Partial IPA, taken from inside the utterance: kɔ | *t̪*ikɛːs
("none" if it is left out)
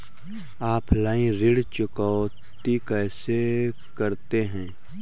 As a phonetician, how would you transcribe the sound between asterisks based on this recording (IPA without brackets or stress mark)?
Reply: t̪